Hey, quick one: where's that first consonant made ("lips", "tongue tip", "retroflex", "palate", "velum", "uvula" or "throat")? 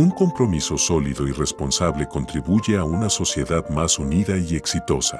velum